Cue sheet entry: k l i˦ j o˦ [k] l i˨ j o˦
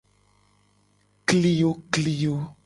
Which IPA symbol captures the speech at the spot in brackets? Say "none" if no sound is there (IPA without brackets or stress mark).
k